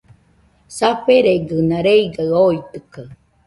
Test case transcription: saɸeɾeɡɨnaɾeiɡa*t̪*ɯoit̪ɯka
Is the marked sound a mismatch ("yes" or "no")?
yes